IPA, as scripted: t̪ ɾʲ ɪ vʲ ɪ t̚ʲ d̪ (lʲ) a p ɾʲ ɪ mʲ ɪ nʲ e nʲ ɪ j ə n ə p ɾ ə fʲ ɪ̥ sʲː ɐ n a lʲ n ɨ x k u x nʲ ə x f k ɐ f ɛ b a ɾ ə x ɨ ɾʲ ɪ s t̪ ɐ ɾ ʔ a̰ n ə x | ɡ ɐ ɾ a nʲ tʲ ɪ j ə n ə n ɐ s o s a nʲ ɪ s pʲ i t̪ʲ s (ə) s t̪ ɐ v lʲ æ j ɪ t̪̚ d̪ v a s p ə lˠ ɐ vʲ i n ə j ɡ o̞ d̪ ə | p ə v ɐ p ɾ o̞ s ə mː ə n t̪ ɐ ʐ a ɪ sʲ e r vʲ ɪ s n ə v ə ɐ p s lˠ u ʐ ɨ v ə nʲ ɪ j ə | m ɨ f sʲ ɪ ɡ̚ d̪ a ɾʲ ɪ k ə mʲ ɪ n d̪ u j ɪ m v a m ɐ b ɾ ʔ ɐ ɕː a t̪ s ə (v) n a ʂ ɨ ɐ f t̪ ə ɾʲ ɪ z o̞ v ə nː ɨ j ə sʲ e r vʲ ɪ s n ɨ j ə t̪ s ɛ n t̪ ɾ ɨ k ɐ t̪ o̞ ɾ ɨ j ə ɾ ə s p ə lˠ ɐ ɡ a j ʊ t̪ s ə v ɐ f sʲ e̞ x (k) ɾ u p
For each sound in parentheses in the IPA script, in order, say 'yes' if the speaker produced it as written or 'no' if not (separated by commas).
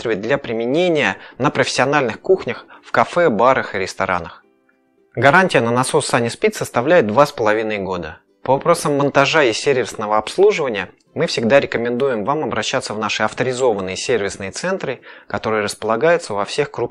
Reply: yes, yes, yes, yes